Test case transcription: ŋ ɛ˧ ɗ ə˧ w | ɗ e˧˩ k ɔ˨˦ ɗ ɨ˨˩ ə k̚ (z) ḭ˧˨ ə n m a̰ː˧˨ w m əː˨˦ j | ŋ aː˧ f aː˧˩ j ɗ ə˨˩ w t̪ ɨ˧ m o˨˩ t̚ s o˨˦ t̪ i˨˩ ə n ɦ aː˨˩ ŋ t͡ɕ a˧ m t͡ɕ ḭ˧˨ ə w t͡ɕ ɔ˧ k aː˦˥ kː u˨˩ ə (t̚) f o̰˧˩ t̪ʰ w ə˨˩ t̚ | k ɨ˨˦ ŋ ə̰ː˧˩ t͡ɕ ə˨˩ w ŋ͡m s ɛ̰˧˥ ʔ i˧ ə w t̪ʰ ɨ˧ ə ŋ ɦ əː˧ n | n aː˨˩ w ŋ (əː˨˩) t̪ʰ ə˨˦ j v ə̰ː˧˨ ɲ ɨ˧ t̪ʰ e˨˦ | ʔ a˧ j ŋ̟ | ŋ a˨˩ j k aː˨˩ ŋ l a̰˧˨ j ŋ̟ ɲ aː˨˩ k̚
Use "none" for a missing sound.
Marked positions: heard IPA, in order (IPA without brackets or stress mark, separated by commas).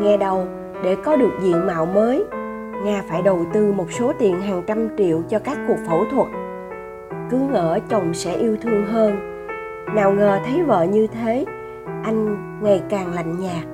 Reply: z, k̚, əː˨˩